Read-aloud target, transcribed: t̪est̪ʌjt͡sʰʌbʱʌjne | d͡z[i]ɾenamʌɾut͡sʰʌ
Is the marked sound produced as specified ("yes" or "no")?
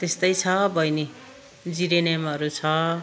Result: yes